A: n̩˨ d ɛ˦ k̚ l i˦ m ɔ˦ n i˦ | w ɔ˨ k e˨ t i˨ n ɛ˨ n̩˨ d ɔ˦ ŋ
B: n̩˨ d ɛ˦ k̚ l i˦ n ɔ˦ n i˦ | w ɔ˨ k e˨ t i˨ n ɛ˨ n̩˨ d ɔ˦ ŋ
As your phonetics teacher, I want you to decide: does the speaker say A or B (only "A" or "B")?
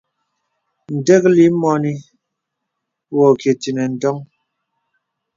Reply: A